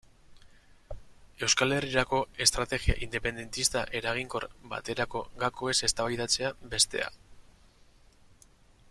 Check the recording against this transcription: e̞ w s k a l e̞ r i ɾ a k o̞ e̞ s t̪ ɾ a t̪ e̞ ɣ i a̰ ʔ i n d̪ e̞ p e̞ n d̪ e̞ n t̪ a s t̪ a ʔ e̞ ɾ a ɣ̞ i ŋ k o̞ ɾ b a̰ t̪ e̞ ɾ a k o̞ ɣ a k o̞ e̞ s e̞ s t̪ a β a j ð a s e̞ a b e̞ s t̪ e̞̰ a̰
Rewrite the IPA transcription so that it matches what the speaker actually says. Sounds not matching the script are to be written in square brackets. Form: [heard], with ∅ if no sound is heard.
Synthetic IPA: e̞ w s k a l e̞ r i ɾ a k o̞ e̞ s t̪ ɾ a t̪ e̞ ɣ i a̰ ʔ i n d̪ e̞ p e̞ n d̪ e̞ n t̪ [i] s t̪ a ʔ e̞ ɾ a ɣ̞ i ŋ k o̞ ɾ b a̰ t̪ e̞ ɾ a k o̞ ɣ a k o̞ e̞ s e̞ s t̪ a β a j ð a [t͡s] e̞ a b e̞ s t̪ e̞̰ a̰